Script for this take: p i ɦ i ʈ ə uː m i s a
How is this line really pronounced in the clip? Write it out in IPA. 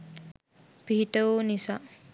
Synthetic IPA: p i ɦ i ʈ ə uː n i s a